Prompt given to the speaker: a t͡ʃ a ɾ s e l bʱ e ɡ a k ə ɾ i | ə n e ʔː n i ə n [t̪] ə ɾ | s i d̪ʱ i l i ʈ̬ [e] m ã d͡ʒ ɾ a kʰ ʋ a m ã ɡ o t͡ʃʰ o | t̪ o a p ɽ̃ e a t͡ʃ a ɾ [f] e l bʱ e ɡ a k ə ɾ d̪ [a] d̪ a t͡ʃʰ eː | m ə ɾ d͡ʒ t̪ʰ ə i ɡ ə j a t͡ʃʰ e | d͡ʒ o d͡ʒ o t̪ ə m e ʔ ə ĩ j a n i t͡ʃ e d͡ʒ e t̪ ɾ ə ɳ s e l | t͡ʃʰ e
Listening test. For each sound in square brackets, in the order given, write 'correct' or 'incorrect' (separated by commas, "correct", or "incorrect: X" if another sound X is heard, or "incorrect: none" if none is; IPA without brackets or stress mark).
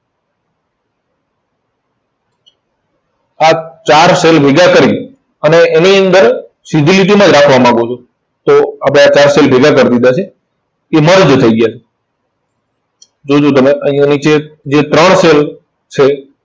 incorrect: d̪, incorrect: i, incorrect: s, incorrect: i